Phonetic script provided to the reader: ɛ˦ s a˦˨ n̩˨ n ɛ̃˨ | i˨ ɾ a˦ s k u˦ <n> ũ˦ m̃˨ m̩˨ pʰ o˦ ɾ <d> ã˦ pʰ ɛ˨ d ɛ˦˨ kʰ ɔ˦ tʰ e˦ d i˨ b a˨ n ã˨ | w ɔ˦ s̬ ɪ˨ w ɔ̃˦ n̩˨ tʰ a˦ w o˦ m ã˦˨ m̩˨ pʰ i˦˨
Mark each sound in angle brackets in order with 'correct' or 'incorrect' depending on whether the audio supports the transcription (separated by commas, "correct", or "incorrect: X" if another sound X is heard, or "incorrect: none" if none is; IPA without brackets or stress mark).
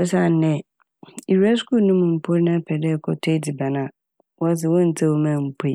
correct, incorrect: n